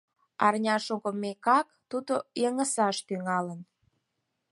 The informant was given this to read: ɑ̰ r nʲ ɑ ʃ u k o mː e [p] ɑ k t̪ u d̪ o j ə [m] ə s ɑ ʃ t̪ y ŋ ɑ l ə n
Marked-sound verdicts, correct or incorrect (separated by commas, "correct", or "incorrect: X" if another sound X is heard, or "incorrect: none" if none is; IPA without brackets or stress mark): incorrect: k, incorrect: ŋ